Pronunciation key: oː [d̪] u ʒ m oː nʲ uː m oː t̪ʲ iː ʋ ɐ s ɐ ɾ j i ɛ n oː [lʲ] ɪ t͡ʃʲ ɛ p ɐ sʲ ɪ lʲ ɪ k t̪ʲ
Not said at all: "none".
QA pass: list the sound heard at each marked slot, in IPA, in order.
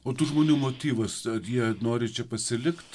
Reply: t̪, ɾʲ

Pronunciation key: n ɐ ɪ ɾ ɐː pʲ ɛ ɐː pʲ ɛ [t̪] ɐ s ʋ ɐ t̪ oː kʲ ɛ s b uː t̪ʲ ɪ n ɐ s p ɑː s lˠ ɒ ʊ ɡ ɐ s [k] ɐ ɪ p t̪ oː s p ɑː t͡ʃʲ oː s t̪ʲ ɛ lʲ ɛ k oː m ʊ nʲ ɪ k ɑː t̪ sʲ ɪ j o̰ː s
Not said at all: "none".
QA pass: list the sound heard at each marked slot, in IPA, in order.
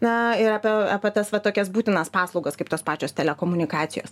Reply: t̪, k

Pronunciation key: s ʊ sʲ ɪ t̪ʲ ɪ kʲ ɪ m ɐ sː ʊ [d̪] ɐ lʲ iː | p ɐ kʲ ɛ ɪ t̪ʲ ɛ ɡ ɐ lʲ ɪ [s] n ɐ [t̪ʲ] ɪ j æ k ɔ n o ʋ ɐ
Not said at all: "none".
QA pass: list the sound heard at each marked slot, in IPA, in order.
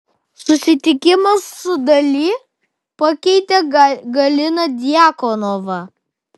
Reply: d̪, none, d̪ʲ

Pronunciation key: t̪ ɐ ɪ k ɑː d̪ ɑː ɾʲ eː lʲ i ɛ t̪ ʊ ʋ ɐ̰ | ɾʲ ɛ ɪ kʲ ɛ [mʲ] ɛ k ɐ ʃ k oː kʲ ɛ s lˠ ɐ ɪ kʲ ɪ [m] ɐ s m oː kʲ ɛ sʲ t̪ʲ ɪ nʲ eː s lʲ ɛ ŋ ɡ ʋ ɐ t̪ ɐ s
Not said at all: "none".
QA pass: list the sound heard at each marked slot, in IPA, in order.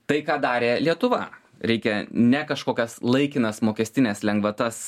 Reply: nʲ, n

